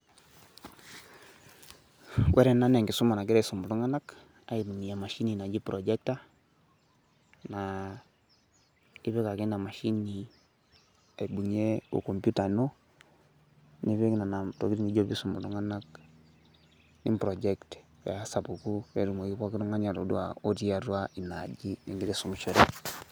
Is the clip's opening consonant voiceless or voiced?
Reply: voiced